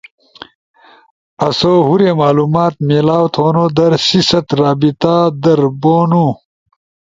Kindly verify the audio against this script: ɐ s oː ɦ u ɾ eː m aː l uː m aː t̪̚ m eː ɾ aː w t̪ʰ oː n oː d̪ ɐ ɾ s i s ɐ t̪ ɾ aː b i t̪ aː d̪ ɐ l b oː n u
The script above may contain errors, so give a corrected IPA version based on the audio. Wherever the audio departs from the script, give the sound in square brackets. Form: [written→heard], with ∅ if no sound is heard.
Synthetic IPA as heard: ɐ s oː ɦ u ɾ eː m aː l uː m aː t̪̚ m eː [ɾ→l] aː w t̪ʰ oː n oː d̪ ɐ ɾ s i s ɐ t̪ ɾ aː b i t̪ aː d̪ ɐ [l→ɾ] b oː n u